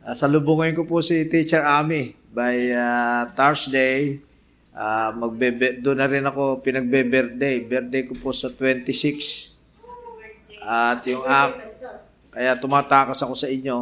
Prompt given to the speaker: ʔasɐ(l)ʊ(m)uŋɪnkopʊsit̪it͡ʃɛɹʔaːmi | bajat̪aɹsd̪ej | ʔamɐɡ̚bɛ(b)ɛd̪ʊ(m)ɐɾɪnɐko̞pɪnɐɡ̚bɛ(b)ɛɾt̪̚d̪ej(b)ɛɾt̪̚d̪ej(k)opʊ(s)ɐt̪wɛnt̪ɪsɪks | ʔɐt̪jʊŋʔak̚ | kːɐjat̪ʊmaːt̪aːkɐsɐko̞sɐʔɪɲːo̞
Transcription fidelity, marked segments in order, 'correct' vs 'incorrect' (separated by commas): correct, incorrect, correct, incorrect, correct, correct, correct, correct